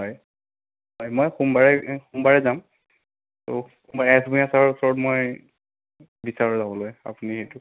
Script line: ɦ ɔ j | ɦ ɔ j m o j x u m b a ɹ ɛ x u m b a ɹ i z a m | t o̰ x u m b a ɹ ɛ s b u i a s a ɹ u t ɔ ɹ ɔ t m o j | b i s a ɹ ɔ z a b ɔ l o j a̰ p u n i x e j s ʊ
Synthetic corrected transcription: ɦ ɔ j | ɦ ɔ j m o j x u m b a ɹ ɛ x u m b a ɹ ɛ z a m | t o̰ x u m b a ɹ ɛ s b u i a s a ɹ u s ɔ ɹ ɔ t m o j | b i s a ɹ ɔ z a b ɔ l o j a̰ p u n i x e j t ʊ